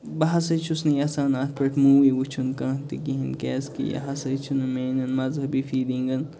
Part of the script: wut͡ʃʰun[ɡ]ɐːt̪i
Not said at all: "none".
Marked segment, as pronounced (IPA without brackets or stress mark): k